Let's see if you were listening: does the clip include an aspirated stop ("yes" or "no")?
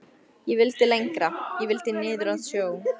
no